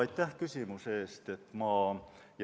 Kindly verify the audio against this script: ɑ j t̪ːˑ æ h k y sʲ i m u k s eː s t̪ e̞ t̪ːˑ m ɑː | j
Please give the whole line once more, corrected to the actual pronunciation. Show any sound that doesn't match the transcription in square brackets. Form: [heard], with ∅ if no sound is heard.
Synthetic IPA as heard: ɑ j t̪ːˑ æ h k y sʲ i m u [∅] s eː s t̪ e̞ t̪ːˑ m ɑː | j